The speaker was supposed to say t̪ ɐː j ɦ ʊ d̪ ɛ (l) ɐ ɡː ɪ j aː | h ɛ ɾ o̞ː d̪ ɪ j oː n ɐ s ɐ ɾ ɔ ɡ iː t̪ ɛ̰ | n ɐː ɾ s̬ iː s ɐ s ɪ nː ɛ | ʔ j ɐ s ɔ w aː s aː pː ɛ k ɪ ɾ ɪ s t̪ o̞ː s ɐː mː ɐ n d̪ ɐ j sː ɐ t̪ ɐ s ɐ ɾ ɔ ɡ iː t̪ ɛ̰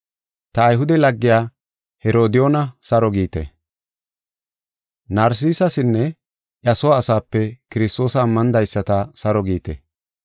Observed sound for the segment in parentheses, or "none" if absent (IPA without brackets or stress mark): l